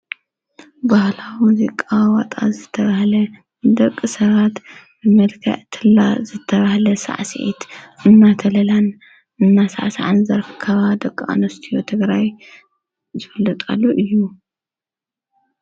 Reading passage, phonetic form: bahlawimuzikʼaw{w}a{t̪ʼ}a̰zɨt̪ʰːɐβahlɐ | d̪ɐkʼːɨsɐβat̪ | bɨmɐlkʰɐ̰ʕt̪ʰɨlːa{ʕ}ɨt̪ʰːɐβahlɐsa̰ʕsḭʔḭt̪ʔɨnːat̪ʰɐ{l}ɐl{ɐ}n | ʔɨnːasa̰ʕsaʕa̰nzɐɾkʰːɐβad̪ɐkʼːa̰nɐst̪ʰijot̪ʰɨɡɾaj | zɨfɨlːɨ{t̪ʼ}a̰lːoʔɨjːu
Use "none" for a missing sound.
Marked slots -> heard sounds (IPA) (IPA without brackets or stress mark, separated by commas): w, t̪ʼ, z, l, a, t̪ʼ